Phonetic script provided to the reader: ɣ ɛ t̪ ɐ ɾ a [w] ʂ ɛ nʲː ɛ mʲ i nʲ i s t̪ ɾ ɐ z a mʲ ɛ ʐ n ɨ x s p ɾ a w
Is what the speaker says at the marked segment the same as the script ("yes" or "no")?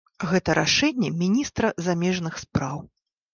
no